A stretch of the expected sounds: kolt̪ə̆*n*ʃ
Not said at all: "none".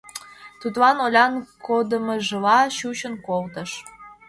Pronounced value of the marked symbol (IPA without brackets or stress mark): none